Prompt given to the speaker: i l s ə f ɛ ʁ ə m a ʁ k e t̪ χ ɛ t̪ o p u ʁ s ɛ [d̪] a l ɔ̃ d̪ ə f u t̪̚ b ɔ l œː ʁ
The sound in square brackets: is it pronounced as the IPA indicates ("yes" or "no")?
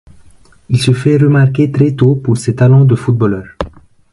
no